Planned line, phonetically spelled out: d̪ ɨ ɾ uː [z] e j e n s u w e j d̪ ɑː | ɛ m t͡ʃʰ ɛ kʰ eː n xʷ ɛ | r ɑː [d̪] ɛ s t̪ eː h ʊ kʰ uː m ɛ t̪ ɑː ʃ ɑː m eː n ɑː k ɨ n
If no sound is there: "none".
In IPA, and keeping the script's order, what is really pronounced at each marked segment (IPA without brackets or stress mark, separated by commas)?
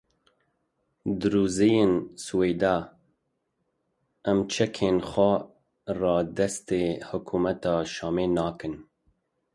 z, d̪